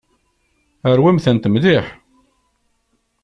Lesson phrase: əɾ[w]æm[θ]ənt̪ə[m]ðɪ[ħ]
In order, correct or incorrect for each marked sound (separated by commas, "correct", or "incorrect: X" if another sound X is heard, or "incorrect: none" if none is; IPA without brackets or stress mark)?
correct, correct, correct, correct